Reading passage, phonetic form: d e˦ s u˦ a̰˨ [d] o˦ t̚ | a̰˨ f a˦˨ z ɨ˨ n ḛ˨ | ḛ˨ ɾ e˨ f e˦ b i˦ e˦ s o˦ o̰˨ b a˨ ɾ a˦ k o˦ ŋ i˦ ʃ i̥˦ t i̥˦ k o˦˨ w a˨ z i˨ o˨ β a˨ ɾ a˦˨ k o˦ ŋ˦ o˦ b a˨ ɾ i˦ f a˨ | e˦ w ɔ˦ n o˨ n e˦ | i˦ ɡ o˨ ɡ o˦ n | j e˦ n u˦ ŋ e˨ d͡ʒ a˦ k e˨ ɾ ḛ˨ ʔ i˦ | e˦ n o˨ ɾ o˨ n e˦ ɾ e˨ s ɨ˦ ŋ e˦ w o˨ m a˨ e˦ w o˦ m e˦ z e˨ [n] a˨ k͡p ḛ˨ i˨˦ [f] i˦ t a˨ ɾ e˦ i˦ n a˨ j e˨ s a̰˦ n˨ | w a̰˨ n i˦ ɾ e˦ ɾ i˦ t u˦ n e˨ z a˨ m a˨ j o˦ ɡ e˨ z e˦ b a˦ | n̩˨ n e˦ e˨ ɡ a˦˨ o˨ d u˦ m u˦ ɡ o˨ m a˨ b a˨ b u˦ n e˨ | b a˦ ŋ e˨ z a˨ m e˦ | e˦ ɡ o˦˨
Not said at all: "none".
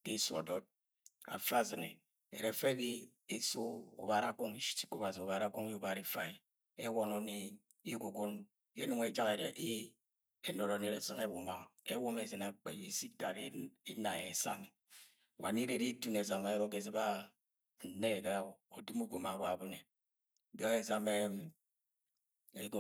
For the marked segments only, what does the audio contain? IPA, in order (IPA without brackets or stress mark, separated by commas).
d, n, s